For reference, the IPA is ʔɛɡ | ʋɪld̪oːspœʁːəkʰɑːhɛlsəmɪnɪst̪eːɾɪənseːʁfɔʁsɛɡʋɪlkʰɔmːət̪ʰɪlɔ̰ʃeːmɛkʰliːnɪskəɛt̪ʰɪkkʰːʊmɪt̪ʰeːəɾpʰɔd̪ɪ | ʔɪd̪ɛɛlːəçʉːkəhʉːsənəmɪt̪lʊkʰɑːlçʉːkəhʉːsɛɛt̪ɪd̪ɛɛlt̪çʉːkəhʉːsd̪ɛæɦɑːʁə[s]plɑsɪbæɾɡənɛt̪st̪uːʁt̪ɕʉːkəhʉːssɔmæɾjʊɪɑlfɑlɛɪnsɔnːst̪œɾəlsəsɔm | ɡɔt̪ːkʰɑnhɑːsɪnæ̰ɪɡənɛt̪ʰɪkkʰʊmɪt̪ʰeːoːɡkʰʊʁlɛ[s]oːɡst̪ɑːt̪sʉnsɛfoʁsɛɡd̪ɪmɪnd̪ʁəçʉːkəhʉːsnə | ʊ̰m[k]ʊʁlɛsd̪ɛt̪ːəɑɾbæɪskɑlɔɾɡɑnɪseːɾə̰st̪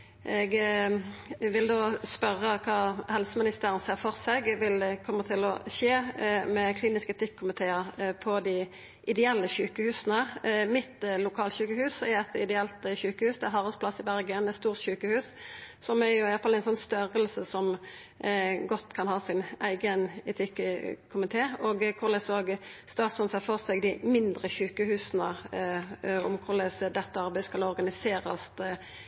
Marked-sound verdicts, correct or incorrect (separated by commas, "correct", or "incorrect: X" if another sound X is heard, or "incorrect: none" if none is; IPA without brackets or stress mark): correct, correct, incorrect: kʰ